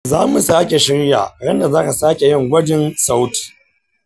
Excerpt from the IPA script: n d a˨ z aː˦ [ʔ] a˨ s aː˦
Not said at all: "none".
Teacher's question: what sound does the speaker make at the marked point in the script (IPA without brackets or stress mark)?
k